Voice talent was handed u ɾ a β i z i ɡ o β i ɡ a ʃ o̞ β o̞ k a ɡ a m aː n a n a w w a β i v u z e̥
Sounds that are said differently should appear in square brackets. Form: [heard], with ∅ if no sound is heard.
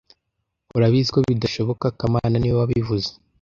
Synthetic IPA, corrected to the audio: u ɾ a β i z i [k] o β i [d] a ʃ o̞ β o̞ k a [k] a m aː n a n [i] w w a β i v u z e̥